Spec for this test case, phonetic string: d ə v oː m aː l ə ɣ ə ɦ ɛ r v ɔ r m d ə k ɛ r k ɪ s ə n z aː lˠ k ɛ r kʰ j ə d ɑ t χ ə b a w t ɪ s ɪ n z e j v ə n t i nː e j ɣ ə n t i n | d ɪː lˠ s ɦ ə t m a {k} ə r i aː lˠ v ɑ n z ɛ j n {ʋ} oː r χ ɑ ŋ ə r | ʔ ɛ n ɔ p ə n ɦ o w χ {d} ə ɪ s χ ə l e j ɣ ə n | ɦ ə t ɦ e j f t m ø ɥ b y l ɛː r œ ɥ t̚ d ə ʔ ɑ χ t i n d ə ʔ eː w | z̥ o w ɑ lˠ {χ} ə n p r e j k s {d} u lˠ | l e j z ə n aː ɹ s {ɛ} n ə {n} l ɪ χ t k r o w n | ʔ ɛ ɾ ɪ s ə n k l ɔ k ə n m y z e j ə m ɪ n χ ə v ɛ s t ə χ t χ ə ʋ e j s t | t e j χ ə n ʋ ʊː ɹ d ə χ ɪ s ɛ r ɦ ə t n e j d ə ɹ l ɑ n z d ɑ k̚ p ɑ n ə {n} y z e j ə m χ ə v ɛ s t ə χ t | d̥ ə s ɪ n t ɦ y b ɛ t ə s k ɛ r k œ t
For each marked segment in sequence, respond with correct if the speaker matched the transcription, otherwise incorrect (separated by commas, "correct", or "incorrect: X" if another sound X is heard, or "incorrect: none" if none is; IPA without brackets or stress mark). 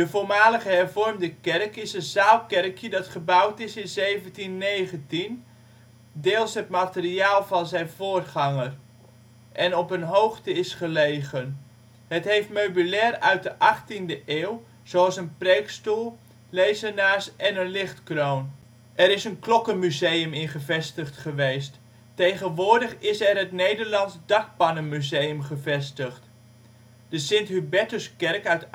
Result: incorrect: t, incorrect: v, incorrect: t, incorrect: s, incorrect: t, correct, correct, incorrect: m